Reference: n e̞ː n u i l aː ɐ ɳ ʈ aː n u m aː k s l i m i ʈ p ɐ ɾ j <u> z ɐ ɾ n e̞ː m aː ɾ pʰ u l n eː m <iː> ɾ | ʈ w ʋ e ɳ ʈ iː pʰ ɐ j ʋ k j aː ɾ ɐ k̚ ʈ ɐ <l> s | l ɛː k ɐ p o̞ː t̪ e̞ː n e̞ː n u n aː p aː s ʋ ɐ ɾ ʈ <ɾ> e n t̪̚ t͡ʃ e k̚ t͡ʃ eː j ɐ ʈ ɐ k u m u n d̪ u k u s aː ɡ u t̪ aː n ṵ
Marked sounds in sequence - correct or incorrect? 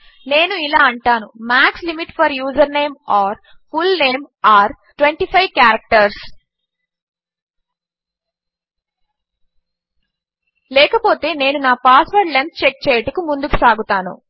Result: incorrect: uː, incorrect: aː, incorrect: ɾ, incorrect: l

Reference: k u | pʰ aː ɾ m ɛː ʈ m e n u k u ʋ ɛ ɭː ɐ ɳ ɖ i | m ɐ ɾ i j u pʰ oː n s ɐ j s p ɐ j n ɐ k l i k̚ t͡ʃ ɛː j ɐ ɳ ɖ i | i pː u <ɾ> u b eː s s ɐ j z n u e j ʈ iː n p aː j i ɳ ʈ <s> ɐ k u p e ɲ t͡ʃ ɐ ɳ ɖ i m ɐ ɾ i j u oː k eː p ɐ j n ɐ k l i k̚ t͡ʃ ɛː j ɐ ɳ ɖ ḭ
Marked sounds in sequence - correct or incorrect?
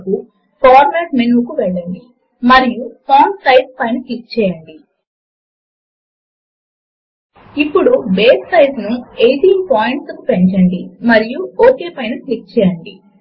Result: incorrect: ɽ, correct

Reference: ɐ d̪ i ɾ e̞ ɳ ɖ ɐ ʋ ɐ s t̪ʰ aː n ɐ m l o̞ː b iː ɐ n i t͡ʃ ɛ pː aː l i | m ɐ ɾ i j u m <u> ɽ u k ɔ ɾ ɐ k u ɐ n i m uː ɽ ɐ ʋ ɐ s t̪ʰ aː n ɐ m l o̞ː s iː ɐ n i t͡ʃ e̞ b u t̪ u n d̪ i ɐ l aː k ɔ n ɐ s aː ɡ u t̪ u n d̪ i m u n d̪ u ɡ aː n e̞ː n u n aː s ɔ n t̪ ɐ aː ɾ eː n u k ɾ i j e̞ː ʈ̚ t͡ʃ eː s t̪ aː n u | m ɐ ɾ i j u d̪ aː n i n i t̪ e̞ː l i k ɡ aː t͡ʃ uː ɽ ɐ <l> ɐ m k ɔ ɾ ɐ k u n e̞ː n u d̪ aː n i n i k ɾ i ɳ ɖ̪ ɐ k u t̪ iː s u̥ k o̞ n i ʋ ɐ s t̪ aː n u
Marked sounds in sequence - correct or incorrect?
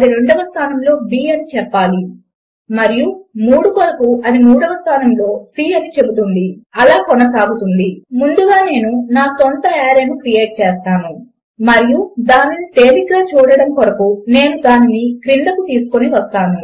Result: incorrect: uː, incorrect: ɽ

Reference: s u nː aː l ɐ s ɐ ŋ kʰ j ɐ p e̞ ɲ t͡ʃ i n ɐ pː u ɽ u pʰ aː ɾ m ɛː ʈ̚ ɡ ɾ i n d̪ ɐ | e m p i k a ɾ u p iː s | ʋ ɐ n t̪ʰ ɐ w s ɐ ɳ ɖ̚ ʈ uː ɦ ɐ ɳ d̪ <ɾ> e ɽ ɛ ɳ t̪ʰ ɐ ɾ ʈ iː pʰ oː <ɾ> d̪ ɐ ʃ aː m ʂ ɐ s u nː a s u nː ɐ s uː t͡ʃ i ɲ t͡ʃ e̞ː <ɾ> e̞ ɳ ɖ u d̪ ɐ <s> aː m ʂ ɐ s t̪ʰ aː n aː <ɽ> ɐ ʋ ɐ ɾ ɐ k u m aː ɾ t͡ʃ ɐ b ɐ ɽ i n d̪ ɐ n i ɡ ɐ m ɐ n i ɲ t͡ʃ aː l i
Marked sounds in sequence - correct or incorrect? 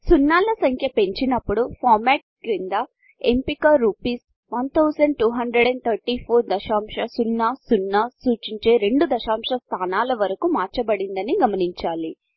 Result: correct, correct, correct, incorrect: ʃ, incorrect: l

